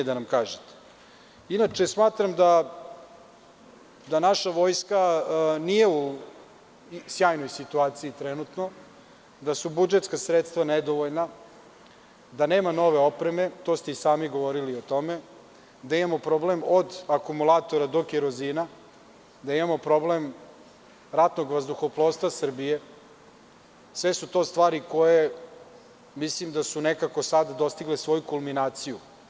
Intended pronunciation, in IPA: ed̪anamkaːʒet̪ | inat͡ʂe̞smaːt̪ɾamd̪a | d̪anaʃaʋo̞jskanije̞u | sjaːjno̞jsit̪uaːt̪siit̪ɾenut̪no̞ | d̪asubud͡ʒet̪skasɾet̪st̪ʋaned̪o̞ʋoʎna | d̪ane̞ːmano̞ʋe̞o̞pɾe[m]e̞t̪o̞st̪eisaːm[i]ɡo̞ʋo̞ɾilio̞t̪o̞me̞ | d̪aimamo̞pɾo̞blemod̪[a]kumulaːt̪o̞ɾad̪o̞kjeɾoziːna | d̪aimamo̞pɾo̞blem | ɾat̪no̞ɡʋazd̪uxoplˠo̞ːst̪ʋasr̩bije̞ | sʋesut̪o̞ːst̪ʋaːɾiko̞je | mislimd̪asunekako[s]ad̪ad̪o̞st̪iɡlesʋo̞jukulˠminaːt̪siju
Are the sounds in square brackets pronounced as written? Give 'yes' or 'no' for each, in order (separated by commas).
yes, yes, yes, yes